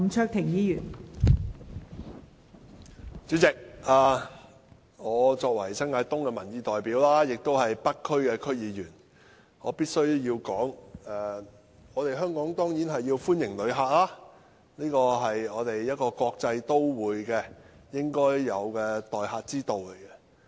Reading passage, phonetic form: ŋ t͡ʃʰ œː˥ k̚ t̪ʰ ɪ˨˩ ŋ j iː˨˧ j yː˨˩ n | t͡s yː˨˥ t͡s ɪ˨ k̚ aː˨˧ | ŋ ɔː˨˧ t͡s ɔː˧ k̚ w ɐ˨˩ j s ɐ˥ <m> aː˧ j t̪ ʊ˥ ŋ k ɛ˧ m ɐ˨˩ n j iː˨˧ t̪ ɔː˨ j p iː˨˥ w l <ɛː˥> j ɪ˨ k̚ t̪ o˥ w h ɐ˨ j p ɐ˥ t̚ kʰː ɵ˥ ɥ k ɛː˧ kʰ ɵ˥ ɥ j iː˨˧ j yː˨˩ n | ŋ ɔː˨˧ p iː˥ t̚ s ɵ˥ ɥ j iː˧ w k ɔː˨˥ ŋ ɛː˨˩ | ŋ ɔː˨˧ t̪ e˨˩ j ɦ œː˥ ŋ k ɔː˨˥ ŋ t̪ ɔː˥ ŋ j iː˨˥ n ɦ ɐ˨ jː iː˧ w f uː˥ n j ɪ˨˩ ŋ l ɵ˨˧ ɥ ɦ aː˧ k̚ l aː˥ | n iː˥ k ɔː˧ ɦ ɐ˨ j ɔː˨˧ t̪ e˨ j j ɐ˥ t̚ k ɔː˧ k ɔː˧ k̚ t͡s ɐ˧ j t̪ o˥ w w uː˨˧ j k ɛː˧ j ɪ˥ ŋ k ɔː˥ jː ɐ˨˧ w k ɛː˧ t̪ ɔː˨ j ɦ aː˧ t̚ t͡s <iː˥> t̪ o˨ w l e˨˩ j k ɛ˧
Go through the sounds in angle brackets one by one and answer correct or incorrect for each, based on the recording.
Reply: incorrect, incorrect, correct

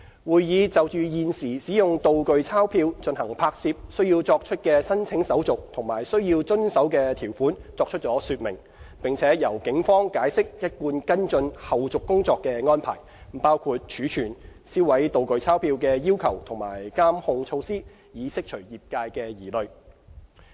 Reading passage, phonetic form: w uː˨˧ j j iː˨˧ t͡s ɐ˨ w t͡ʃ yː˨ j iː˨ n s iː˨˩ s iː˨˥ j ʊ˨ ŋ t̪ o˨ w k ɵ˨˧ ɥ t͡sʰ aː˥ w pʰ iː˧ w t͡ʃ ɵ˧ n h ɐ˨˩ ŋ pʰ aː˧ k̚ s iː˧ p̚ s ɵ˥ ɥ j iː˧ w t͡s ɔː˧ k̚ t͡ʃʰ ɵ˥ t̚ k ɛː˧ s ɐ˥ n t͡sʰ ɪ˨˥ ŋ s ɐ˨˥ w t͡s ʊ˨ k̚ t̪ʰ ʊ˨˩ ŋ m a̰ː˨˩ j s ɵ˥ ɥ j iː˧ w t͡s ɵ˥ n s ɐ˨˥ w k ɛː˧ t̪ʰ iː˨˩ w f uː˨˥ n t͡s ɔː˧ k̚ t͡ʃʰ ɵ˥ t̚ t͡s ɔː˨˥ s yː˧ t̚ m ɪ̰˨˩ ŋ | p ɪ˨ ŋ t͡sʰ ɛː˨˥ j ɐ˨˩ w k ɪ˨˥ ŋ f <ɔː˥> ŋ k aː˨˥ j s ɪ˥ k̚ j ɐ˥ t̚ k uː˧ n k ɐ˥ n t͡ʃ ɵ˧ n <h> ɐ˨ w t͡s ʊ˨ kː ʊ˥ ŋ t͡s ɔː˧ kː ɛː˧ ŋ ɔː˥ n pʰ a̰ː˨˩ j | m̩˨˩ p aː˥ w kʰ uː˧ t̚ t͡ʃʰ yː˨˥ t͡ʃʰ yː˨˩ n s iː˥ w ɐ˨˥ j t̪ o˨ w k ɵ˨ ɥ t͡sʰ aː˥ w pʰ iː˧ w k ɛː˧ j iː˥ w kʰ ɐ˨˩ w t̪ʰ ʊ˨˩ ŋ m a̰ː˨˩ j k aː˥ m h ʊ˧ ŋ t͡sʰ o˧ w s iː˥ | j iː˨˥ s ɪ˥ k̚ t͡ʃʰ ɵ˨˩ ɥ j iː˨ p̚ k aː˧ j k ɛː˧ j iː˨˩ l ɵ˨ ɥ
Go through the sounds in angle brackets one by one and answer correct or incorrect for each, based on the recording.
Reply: correct, correct

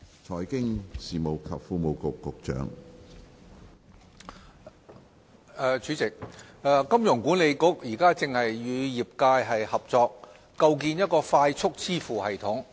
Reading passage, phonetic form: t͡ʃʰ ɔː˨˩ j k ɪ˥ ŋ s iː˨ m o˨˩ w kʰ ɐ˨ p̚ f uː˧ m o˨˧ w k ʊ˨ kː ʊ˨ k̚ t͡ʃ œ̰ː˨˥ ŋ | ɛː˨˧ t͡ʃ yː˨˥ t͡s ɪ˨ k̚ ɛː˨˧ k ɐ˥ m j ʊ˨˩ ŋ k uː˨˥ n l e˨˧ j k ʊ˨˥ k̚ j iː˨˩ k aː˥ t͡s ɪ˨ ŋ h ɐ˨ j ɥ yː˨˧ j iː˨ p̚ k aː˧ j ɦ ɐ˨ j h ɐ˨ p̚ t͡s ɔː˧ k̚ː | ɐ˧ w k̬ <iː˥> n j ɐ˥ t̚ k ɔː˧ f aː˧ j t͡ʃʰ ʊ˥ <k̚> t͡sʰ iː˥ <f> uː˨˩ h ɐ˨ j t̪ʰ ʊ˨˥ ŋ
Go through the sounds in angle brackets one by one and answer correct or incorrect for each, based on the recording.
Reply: incorrect, correct, correct

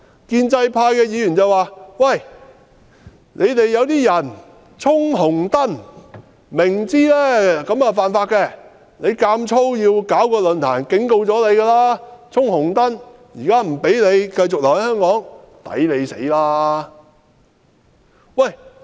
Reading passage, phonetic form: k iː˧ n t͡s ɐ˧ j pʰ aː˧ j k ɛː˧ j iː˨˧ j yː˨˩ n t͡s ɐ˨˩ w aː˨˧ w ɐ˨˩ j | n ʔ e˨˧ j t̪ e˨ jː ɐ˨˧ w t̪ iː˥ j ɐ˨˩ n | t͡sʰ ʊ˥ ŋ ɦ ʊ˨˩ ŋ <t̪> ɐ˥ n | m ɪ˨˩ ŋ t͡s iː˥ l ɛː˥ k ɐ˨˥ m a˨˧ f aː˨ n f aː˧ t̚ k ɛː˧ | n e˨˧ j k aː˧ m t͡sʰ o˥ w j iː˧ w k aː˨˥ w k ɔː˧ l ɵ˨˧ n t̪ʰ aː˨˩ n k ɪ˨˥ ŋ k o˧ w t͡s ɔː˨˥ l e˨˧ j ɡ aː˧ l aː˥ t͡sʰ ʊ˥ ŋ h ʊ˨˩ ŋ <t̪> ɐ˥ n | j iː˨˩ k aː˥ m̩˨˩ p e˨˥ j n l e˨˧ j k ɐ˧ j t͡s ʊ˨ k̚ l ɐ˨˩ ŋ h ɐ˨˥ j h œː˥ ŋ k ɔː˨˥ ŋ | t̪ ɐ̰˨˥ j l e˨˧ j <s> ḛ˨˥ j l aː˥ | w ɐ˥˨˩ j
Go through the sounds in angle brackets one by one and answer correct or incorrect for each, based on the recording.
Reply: correct, correct, correct

